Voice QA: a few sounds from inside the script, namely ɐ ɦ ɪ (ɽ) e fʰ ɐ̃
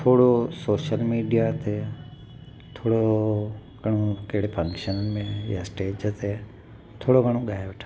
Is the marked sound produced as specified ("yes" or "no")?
yes